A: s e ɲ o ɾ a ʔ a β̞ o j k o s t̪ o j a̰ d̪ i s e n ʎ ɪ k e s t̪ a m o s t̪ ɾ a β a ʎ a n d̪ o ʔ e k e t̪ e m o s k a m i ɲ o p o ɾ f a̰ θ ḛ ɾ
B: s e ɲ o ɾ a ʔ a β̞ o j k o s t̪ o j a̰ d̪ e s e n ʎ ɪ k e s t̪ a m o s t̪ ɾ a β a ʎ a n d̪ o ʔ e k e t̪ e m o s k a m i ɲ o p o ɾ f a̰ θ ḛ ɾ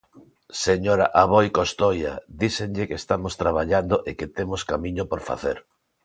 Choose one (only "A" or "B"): A